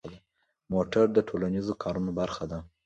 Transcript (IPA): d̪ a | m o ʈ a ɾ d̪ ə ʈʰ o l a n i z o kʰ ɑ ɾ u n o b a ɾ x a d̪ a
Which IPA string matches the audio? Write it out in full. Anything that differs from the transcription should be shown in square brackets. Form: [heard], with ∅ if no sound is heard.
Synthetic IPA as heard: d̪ a | m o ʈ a ɾ d̪ ə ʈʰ o l a n i z o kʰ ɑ ɾ u n o b a ɾ x a d̪ a